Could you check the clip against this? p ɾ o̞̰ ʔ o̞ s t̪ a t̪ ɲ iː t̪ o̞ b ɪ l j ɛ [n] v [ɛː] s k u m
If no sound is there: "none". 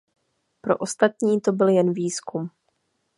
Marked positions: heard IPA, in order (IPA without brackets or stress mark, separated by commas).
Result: n, iː